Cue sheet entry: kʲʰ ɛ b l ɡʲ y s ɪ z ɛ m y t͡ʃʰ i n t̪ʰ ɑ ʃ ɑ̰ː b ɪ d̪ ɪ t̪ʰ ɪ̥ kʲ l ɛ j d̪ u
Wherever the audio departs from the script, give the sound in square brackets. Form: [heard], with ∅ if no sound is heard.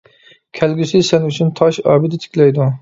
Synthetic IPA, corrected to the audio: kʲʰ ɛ [∅] l ɡʲ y s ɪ [s] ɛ [n] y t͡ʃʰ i n t̪ʰ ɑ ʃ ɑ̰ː b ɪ d̪ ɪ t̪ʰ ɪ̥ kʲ l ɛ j d̪ u